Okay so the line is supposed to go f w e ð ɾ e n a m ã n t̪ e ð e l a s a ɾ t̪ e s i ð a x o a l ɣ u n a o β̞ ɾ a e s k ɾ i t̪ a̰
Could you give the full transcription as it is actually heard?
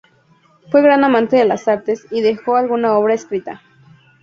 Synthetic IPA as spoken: f w e ɣ ɾ a n a m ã n t̪ e ð e l a s a ɾ t̪ e s i ð e x o a l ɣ u n a o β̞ ɾ a e s k ɾ i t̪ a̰